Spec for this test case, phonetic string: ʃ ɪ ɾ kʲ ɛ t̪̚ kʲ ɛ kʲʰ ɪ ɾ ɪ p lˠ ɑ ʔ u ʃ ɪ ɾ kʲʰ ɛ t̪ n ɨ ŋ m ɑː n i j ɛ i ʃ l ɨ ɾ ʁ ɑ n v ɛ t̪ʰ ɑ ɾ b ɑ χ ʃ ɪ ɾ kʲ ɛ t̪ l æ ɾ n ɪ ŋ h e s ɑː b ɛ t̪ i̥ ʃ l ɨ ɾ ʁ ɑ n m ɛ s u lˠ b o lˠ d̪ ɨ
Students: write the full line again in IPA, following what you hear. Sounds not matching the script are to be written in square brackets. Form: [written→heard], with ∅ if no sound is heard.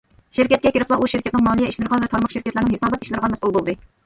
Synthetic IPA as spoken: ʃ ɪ ɾ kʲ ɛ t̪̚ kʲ ɛ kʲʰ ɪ ɾ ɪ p lˠ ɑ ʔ u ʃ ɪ ɾ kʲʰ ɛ t̪ n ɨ ŋ m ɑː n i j ɛ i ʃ l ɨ ɾ ʁ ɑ n v ɛ t̪ʰ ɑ ɾ [b→m] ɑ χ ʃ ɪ ɾ kʲ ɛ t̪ l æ ɾ n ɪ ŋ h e s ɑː b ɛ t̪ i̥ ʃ l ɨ ɾ ʁ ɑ n m ɛ s u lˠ b o lˠ d̪ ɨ